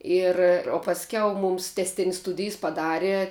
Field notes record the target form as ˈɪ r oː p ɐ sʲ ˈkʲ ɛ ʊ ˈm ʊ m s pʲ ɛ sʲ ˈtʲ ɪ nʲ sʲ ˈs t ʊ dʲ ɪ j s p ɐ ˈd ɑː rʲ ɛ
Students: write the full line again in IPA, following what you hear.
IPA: ˈɪ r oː p ɐ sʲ ˈkʲ ɛ ʊ ˈm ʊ m s tʲ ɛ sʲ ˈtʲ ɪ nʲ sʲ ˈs t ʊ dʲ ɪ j s p ɐ ˈd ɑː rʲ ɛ